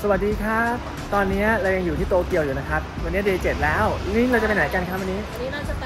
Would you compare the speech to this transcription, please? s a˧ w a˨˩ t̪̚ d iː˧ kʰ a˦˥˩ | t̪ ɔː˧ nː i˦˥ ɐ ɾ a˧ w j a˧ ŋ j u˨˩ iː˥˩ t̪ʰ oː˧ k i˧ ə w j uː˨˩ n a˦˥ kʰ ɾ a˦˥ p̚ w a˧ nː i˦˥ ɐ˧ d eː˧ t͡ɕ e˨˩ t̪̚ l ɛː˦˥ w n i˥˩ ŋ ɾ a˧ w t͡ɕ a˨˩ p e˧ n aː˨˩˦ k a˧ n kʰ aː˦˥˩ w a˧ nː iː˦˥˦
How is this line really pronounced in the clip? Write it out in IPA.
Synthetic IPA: s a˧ w a˨˩ t̪̚ d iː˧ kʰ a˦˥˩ | t̪ ɔː˧ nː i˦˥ ɐ ɾ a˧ w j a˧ ŋ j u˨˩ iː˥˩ t̪ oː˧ k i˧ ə w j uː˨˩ n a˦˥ kʰ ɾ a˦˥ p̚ w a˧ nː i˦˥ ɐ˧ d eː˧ t͡ɕ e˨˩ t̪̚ l ɛː˦˥ w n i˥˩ ŋ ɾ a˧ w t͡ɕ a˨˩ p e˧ n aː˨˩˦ k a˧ n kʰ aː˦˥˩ w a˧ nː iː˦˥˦